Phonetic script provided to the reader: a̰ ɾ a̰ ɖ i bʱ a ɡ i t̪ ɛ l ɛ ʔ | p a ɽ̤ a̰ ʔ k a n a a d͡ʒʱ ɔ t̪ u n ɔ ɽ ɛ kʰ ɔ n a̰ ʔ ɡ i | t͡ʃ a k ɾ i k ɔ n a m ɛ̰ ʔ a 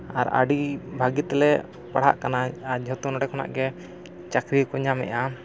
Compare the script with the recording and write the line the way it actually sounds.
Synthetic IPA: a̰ ɾ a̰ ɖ i bʱ a ɡ i t̪ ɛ l ɛ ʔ | p a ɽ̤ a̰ ʔ k a n a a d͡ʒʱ ɔ t̪ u n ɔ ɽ ɛ kʰ ɔ n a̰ ʔ ɡ ɛ | t͡ʃ a k ɾ i k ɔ ɲ a m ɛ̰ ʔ a